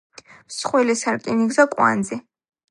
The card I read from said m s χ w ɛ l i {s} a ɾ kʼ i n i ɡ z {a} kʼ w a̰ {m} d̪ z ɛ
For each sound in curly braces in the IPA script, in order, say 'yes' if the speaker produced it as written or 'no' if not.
yes, yes, no

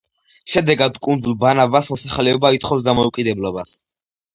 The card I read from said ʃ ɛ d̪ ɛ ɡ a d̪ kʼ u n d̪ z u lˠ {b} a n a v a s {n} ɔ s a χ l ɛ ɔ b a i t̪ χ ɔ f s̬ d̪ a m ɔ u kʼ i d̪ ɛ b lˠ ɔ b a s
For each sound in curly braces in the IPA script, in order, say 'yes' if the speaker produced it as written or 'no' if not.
yes, no

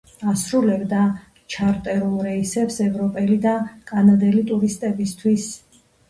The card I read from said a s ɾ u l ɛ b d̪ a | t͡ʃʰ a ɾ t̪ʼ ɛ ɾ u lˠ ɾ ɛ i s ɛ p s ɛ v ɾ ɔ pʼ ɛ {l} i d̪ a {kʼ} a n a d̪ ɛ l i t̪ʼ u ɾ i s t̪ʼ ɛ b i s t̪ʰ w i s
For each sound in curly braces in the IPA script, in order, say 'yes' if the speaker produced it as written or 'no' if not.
yes, yes

